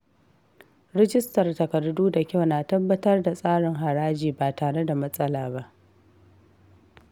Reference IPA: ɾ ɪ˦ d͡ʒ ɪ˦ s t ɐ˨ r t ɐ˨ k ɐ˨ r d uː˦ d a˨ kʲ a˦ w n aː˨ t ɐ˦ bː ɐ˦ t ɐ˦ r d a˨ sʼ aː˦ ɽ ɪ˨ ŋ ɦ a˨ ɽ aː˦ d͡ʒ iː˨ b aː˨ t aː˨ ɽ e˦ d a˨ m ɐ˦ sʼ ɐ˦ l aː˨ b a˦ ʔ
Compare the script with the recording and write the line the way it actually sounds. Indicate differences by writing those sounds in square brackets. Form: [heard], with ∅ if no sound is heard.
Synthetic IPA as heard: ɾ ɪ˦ d͡ʒ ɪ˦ s t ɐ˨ r t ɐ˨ k ɐ˨ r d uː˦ d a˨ kʲ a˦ w n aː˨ t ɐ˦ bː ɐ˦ t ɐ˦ r d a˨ sʼ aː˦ ɽ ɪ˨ ŋ ɦ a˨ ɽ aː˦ d͡ʒ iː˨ b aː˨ t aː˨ ɽ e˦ d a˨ m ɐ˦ sʼ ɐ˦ l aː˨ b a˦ ʔ